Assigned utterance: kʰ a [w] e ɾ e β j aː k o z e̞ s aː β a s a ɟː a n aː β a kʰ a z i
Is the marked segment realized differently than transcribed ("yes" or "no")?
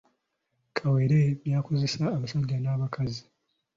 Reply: no